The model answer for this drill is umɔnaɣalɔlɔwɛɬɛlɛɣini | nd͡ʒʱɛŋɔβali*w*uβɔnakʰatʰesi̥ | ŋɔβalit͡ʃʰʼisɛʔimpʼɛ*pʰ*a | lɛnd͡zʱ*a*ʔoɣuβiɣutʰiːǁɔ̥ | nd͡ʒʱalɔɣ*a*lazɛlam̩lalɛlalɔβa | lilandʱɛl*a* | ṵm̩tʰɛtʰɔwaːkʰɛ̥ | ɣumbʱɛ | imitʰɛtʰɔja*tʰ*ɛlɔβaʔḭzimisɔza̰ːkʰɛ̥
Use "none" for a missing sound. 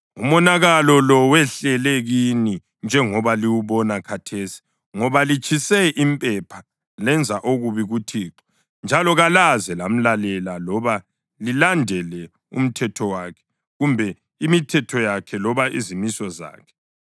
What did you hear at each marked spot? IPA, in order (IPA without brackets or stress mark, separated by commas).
w, pʰ, a, a, ɛ, kʰ